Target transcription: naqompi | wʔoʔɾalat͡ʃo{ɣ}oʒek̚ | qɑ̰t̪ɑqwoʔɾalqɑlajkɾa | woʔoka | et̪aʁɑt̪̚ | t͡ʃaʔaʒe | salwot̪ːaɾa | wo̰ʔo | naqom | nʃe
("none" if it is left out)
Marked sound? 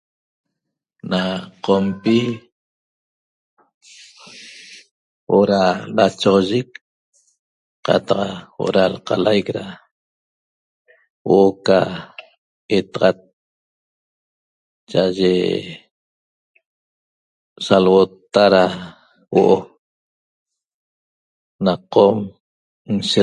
ʁ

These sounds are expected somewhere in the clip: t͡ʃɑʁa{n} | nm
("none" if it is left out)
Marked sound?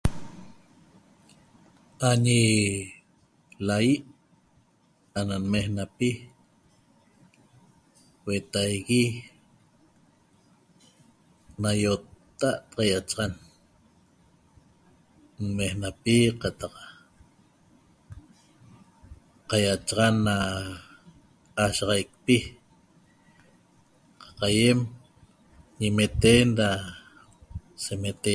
n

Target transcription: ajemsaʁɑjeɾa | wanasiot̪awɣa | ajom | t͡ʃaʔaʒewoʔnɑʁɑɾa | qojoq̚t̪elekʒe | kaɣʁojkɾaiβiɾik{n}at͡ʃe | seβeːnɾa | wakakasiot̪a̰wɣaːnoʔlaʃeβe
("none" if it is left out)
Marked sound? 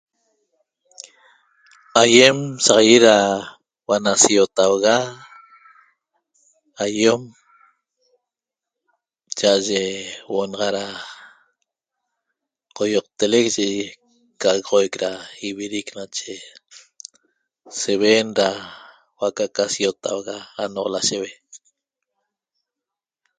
n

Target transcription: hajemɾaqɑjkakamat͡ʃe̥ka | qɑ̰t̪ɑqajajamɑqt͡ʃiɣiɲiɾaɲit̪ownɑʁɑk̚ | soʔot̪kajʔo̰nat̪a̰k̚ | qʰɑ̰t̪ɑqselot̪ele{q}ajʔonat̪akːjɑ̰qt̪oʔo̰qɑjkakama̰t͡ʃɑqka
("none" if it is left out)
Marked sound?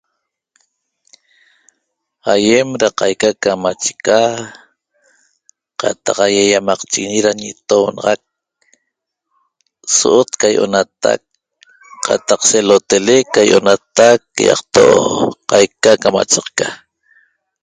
k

